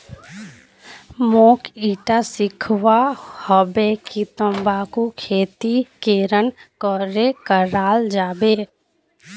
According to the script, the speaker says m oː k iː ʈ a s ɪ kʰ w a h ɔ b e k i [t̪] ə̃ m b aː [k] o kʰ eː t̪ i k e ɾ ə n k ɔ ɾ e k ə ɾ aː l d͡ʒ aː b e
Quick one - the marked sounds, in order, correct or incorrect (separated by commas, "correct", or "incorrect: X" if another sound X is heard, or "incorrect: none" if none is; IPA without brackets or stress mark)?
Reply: correct, correct